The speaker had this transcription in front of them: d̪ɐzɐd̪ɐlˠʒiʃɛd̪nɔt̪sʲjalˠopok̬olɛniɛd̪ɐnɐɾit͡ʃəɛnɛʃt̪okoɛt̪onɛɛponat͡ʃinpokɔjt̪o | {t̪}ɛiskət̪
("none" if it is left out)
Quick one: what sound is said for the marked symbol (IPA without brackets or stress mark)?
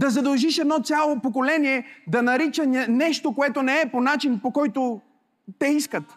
t̪